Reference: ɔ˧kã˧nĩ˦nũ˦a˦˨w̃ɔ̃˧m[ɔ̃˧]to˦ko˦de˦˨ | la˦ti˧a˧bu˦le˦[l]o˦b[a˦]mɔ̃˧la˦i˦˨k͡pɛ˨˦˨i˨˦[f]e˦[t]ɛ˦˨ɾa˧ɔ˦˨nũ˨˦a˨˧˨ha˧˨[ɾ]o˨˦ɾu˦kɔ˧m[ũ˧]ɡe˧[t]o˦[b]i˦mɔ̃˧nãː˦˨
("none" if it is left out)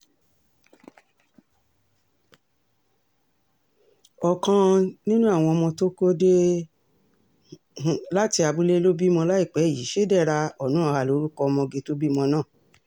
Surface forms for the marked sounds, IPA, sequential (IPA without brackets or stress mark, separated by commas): ɔ̃˧, l, i˦, ʃ, d, l, ɔ̃˧, t, b